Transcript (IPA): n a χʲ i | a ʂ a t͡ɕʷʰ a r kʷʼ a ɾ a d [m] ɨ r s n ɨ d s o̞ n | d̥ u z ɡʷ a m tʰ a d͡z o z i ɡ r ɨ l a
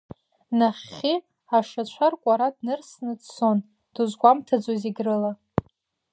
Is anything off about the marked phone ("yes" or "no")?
yes